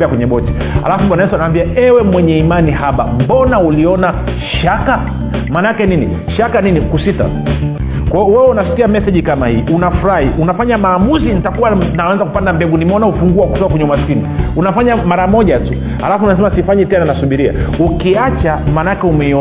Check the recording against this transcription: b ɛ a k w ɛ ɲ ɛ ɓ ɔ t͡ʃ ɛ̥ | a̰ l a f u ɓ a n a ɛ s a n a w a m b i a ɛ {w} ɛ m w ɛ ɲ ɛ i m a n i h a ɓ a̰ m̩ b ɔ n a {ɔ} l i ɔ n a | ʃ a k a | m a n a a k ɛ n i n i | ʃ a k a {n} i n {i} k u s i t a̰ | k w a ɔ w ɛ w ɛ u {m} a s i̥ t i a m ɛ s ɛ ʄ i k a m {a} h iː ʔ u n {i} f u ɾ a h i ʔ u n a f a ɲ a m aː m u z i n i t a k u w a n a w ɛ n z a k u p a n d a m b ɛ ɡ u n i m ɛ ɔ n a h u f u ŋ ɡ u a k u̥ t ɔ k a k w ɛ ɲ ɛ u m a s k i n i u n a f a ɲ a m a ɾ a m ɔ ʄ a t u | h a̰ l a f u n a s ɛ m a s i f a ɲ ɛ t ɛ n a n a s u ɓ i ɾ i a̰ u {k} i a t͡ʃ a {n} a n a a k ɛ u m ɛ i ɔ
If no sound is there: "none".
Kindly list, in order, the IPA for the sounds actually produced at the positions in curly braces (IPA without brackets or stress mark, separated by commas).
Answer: w, u, n, i, n, a, a, k, m